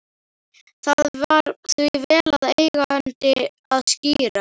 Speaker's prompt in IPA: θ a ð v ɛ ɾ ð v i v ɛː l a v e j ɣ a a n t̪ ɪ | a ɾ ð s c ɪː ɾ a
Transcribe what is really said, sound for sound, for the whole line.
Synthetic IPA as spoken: θ a ð v a ɾ θ v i v ɛː l a ð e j ɣ a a n t̪ ɪ | a ð s c iː ɾ a

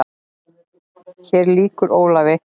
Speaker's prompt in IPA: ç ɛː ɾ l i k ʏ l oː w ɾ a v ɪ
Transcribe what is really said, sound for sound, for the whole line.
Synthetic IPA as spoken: ç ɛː ɾ l iː k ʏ ɾ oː w l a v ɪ

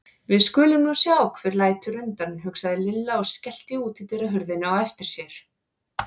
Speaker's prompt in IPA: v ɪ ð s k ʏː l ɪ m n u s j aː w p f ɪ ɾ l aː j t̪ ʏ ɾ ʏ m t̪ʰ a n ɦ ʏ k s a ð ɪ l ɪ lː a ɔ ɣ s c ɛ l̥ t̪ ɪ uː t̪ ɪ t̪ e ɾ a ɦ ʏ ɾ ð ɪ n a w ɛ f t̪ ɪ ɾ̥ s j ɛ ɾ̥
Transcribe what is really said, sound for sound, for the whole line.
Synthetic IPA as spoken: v ɪ ð s k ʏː l ɪ m n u s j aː w k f ɪ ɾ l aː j t̪ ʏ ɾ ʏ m t̪ a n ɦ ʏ k s a ð ɪ l ɪ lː a ɔ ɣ s c ɛ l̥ t̪ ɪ uː t̪ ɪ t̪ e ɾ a ɦ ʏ ɾ ð ɪ n a w ɛ f t̪ ɪ ɾ̥ s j ɛ ɾ̥

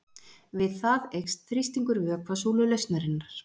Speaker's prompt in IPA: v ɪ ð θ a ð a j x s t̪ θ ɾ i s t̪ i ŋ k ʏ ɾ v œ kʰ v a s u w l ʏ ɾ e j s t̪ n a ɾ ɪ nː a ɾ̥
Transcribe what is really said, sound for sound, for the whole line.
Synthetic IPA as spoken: v ɪ ð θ a ð e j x s t̪ θ ɾ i s t̪ i ŋ k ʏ ɾ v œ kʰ v a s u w l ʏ l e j s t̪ n a ɾ ɪ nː a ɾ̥

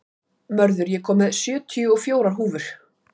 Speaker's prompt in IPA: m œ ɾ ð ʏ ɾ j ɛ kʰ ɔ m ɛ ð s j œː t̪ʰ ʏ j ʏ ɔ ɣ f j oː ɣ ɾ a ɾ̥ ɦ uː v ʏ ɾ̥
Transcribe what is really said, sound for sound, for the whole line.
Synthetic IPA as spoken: m œ ɾ ð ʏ ɾ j ɛ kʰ ɔː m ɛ ð s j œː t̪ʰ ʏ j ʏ ɔ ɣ f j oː w ɾ a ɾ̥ ɦ uː v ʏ ɾ̥

